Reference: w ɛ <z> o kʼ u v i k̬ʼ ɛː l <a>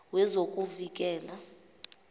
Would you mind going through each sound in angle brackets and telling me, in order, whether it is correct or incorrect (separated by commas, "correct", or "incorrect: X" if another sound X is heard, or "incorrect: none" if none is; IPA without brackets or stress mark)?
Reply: correct, correct